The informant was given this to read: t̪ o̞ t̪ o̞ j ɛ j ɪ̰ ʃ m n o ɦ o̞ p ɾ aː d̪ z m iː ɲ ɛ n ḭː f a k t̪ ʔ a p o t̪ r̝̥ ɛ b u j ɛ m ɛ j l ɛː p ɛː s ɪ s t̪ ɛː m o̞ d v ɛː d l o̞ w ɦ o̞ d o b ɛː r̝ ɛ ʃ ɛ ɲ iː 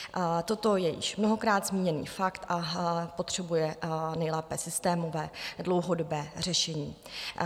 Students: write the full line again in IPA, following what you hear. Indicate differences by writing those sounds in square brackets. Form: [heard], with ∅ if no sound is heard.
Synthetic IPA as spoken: t̪ o̞ t̪ o̞ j ɛ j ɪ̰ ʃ m n o ɦ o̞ [k] ɾ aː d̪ z m iː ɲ ɛ n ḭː f a k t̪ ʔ a p o t̪ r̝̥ ɛ b u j ɛ [n] ɛ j l ɛː p ɛː s ɪ s t̪ ɛː m o̞ [∅] v ɛː d l o̞ w ɦ o̞ d o b ɛː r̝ ɛ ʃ ɛ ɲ iː